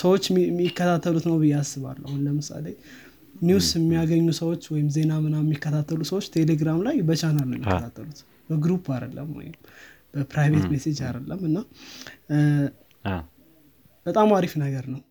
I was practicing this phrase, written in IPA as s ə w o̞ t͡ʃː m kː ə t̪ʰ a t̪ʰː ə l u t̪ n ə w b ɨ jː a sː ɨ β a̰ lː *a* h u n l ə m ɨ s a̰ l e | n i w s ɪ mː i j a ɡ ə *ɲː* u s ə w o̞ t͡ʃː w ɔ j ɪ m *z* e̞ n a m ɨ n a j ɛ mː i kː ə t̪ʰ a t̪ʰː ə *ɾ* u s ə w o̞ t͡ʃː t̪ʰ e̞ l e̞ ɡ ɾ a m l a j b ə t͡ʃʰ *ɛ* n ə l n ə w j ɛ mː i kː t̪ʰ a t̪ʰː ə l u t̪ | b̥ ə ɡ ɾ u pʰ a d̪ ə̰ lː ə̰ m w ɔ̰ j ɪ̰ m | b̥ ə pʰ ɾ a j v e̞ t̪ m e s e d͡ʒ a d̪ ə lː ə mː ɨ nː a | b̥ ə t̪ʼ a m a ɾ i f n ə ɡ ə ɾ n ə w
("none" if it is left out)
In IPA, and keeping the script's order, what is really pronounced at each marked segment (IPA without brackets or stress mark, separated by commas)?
a, ɲː, z, l, a